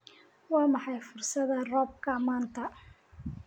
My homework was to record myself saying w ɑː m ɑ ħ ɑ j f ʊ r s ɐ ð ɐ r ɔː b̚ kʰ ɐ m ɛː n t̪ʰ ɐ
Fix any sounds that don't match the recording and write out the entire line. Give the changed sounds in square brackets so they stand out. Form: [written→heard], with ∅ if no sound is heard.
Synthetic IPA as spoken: w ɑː m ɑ ħ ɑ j f ʊ r s ɐ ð ɐ r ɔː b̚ kʰ ɐ m [ɛː→aː] n t̪ʰ ɐ